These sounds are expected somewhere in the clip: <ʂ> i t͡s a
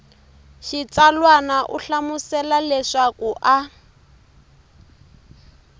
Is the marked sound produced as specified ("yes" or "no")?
no